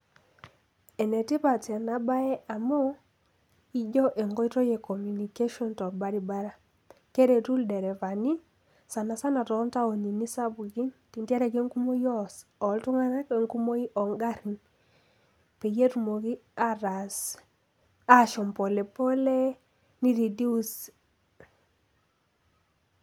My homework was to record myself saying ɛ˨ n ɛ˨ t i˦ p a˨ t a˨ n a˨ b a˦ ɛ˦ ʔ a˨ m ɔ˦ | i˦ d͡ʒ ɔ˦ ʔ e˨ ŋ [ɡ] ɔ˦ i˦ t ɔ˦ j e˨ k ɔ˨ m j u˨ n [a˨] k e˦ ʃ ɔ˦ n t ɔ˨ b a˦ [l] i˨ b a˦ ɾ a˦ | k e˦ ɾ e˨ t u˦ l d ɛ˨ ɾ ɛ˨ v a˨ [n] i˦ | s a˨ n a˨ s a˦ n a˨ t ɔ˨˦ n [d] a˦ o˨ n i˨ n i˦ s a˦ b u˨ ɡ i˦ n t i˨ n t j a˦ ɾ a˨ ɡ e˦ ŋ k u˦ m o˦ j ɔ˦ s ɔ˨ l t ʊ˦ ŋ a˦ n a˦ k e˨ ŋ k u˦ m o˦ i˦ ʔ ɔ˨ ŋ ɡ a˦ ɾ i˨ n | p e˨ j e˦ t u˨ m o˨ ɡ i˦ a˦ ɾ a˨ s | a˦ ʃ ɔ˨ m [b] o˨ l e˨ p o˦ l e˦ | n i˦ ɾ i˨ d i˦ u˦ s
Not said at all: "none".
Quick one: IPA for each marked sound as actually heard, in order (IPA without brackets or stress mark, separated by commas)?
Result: ɡ, i˨, ɾ, n, t, p